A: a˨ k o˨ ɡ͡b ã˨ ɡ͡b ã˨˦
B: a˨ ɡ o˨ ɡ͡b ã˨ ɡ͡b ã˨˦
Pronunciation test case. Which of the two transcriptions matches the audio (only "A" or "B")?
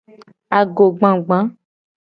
B